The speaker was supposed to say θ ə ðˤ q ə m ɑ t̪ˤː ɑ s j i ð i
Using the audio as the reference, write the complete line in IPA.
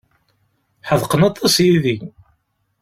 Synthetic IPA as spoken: ħ ə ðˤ q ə n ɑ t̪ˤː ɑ s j i ð i